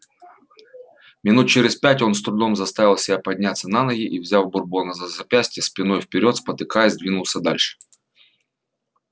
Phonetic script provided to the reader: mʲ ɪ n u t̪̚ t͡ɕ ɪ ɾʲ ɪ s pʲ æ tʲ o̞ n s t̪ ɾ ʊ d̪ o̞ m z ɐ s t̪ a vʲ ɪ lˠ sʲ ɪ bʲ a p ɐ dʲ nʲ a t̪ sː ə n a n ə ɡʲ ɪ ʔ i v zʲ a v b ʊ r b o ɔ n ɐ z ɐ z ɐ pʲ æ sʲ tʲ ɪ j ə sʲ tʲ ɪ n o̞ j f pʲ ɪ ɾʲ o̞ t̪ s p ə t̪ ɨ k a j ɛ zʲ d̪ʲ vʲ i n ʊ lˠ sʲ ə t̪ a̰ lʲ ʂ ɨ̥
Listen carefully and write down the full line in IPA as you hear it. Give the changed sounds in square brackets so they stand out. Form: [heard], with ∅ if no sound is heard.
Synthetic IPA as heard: mʲ ɪ n u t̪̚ t͡ɕ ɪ ɾʲ ɪ s pʲ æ tʲ o̞ n s t̪ ɾ ʊ d̪ o̞ m z ɐ s t̪ a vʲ ɪ lˠ sʲ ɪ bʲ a p ɐ dʲ nʲ a t̪ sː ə n a n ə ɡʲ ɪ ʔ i v zʲ a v b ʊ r b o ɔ n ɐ z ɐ z ɐ pʲ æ sʲ tʲ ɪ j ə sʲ [pʲ] ɪ n o̞ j f pʲ ɪ ɾʲ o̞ t̪ s p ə t̪ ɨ k a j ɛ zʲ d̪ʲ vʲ i n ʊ lˠ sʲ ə [d̪] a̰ lʲ ʂ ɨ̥